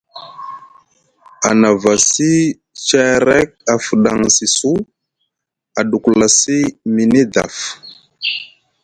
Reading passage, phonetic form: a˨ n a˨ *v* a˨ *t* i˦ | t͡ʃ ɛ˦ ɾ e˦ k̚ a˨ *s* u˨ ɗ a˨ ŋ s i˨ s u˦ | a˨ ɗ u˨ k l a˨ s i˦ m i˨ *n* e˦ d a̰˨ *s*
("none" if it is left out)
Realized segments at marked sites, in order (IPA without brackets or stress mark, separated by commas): v, s, f, n, f